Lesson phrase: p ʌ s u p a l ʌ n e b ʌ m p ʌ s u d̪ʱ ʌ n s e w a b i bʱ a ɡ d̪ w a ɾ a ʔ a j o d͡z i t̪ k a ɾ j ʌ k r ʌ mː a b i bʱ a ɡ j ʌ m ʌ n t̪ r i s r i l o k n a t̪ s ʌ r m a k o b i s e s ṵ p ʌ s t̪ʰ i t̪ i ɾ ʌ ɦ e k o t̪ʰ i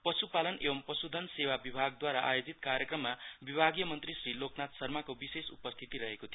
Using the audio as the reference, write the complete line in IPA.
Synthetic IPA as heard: p ʌ s u p a l ʌ n e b ʌ m p ʌ s u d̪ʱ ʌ n s e w a b i bʱ a ɡ d̪ w a ɾ a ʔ a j o d͡z i t̪ k a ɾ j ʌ k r ʌ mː a b i bʱ a ɡ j ʌ m ʌ n t̪ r i s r i l o k n a t̪ s ʌ r m a k o b i s e s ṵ p ʌ s t̪ʰ i t̪ i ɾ ʌ ɦ e k o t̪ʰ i